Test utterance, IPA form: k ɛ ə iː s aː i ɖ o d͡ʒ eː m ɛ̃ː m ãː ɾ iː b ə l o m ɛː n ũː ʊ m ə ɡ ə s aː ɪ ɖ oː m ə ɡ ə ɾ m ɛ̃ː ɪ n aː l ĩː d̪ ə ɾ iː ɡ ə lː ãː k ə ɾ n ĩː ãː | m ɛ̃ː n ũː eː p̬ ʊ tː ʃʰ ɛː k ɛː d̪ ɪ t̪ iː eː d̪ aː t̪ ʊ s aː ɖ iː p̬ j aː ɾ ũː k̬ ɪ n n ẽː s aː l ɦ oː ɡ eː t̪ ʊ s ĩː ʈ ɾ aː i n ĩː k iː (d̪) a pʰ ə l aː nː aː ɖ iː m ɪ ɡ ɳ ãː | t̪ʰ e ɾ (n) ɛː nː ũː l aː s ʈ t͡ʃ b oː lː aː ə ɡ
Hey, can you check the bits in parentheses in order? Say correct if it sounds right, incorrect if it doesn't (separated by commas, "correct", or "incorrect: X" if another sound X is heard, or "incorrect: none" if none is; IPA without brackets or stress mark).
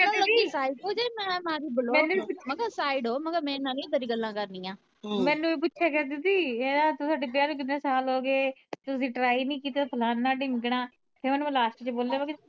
incorrect: t̪, incorrect: m